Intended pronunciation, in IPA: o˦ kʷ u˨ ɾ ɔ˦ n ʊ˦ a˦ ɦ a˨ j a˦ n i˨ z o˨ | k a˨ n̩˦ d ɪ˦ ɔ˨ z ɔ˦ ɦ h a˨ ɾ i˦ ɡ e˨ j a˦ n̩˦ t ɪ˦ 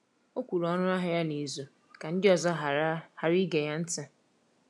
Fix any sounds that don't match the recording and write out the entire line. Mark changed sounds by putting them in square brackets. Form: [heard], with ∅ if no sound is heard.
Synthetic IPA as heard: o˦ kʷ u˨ ɾ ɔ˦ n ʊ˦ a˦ ɦ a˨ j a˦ n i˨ z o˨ | k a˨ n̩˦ d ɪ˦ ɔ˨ z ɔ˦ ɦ h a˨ ɾ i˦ ɡ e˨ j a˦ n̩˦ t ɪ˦

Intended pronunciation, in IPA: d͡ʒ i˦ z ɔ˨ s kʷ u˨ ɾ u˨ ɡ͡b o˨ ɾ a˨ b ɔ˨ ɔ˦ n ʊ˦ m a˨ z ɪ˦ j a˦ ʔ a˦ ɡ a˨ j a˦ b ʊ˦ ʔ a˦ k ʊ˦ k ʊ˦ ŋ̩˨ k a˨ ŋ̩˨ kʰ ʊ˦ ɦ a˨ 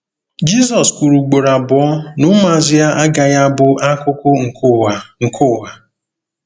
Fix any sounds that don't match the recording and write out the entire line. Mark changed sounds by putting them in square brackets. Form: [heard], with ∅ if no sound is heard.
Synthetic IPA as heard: d͡ʒ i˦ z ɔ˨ s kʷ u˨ ɾ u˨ ɡ͡b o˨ ɾ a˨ b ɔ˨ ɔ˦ n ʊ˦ m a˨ z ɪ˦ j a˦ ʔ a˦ ɡ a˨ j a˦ b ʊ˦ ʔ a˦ k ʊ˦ k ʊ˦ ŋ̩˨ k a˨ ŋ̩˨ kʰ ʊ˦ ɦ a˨

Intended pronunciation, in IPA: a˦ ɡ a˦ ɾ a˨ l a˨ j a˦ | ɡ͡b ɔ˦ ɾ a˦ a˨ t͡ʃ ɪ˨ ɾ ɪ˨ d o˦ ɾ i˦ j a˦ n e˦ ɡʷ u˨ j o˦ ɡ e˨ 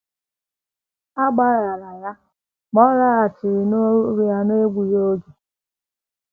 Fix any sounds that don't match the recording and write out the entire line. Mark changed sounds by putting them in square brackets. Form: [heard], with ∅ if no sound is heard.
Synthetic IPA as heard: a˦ [ɡ͡b] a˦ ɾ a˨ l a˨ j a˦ | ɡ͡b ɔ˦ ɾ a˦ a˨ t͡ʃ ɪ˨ ɾ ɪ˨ [n] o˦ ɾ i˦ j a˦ n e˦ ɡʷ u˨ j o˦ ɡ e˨

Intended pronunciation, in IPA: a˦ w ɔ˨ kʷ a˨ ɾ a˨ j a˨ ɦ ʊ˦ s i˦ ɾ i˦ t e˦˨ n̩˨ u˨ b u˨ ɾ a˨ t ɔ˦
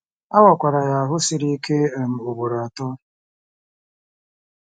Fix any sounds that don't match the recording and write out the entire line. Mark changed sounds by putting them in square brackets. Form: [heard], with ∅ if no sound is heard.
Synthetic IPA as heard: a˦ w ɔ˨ kʷ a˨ ɾ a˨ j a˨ ɦ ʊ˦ s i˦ ɾ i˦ [k] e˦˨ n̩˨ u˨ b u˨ ɾ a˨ t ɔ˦

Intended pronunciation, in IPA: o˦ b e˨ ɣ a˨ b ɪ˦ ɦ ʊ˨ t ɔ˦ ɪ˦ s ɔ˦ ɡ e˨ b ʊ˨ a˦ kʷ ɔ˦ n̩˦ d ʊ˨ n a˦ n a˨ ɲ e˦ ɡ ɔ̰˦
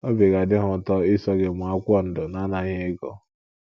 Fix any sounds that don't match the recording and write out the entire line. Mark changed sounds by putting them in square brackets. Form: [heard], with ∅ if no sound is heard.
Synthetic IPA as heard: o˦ b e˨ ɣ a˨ [d] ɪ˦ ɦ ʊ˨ t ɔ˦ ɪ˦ s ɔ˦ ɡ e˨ [m] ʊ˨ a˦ kʷ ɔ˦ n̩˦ d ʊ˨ n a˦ n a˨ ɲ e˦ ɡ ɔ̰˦

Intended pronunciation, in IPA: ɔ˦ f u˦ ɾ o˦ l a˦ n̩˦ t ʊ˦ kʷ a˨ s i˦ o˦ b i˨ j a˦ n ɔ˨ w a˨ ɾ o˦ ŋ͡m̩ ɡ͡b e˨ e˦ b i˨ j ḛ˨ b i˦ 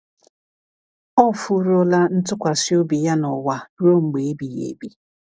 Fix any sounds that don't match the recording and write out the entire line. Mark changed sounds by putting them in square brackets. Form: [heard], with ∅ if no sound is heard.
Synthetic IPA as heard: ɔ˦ f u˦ ɾ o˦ l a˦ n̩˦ t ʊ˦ kʷ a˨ s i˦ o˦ b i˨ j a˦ n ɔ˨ w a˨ ɾ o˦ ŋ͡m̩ ɡ͡b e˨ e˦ b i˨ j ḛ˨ b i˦

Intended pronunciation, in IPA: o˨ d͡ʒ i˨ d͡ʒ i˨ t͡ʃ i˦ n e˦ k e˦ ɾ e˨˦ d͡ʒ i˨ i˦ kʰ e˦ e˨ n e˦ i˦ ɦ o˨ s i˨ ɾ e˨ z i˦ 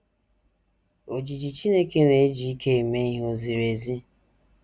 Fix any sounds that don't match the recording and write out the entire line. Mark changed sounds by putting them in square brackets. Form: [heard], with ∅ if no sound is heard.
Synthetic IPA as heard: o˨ d͡ʒ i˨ d͡ʒ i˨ t͡ʃ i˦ n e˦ k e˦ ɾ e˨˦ d͡ʒ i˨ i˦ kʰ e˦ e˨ [m] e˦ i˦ ɦ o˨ [z] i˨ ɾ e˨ z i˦

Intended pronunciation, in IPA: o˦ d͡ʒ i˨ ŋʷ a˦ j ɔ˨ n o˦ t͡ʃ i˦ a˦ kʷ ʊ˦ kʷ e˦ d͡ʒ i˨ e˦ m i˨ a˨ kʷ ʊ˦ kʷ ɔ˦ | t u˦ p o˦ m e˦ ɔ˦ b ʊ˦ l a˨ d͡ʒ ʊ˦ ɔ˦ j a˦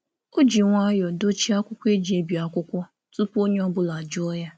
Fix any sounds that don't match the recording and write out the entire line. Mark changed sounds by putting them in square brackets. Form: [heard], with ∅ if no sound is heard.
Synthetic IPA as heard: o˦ d͡ʒ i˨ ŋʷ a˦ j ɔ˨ [d] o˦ t͡ʃ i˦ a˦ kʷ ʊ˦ kʷ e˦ d͡ʒ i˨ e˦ [b] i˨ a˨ kʷ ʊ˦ kʷ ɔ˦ | t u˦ p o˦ [ɲ] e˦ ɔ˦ b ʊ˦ l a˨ d͡ʒ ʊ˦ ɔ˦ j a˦

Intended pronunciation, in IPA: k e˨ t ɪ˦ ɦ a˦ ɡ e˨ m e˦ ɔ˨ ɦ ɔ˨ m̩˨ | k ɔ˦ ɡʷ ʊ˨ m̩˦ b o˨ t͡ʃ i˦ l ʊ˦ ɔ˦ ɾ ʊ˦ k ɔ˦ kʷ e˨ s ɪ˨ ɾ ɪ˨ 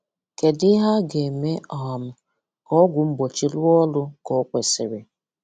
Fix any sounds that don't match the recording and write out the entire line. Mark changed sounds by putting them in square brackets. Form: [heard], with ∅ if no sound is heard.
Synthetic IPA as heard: k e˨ [d] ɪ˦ ɦ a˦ ɡ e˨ m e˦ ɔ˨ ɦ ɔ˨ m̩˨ | k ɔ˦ ɡʷ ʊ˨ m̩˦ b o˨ t͡ʃ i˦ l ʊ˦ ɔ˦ [l] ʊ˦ k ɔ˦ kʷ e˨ s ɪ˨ ɾ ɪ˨

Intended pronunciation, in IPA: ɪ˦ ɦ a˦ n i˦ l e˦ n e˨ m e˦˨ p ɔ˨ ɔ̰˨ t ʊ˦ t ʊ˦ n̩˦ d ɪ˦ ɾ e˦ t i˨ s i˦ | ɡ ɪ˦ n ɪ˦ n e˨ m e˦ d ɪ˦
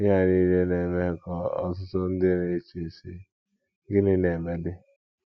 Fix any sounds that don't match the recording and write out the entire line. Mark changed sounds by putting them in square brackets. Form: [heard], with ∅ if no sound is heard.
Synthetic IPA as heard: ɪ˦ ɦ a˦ n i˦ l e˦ n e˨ m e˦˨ [k] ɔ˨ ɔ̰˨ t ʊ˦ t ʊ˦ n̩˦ d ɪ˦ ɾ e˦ [t͡ʃ] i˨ s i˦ | ɡ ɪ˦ n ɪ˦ n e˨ m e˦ d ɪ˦

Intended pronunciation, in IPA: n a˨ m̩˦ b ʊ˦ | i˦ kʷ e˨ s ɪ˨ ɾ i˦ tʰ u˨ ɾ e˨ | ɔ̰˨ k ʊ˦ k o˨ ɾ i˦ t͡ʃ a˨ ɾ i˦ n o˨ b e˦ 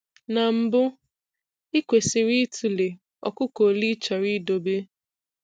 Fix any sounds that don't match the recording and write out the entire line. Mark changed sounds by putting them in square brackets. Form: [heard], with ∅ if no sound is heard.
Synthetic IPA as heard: n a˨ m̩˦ b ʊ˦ | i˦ kʷ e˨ s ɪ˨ ɾ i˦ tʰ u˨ [l] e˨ | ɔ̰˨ k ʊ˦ k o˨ [l] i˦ t͡ʃ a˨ ɾ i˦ [d] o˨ b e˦

